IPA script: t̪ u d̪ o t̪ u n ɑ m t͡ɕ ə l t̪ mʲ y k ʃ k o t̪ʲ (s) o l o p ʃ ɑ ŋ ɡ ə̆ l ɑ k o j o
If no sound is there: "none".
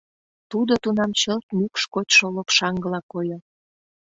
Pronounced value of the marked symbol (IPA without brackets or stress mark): ʃ